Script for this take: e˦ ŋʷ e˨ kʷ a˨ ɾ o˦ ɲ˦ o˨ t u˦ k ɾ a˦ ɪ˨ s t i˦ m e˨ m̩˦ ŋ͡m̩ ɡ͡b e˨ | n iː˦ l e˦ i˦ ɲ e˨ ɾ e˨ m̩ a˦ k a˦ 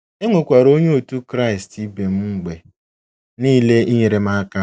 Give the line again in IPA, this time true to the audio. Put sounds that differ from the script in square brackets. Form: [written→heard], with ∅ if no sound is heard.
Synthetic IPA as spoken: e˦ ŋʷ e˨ kʷ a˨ ɾ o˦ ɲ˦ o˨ t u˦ k ɾ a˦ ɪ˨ s t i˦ [m→b] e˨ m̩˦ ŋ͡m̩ ɡ͡b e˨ | n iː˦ l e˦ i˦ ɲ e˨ ɾ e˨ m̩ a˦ k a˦